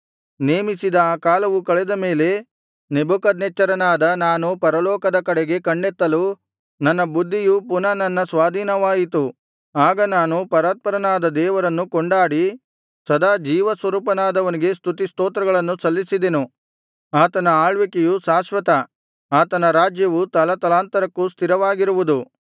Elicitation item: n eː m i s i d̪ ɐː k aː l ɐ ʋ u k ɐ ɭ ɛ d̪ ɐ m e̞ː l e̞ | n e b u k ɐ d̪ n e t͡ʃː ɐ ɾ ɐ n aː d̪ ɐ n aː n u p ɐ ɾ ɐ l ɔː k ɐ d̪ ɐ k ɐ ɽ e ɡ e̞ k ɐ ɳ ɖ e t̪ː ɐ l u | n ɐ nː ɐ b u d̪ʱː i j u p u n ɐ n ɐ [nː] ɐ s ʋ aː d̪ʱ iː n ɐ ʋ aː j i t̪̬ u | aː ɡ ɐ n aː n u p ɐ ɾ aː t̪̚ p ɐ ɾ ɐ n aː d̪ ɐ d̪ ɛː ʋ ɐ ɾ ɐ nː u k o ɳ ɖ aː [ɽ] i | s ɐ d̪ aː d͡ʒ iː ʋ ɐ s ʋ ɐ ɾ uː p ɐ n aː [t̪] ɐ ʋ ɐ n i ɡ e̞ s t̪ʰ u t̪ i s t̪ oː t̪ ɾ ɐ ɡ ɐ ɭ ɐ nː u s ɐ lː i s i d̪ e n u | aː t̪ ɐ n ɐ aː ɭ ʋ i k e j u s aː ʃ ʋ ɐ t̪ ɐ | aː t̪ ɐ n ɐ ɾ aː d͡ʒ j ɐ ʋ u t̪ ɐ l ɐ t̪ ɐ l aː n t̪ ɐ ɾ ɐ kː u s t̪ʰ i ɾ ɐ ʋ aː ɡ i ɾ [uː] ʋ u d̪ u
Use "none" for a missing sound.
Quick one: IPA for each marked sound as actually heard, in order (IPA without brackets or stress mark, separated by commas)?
nː, ɽ, d̪, u